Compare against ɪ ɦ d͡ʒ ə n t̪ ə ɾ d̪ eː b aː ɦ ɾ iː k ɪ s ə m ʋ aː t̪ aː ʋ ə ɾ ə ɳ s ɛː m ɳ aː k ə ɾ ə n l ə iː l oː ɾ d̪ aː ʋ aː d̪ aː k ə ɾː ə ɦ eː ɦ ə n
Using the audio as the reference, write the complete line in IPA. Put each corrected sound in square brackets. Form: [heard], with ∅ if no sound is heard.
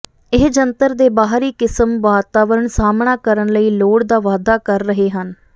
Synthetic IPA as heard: ɪ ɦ d͡ʒ ə n t̪ ə ɾ d̪ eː b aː ɦ ɾ iː k ɪ s ə m ʋ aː t̪ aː ʋ ə ɾ ə ɳ s [aː] m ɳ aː k ə ɾ ə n l ə iː l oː [ɽ] d̪ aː ʋ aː d̪ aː k ə ɾː ə ɦ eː ɦ ə n